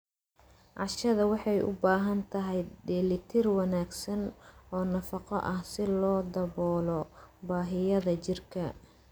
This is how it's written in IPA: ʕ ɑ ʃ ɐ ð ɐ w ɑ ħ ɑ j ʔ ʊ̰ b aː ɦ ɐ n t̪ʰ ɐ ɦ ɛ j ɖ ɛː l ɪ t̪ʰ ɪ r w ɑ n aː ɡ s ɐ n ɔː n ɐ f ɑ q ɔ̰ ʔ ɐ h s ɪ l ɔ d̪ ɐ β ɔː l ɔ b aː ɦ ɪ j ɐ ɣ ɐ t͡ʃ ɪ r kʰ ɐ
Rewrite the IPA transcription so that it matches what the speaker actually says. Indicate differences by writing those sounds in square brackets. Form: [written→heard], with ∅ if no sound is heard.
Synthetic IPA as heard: ʕ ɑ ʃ ɐ ð ɐ w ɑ ħ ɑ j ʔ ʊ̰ b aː ɦ ɐ n t̪ʰ ɐ ɦ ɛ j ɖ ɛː l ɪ t̪ʰ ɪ r w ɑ n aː ɡ s ɐ n ɔː n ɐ f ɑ q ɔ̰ ʔ ɐ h s ɪ l [ɔ→ɔː] d̪ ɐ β ɔː l ɔ b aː ɦ ɪ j ɐ [ɣ→ð] ɐ t͡ʃ ɪ r kʰ ɐ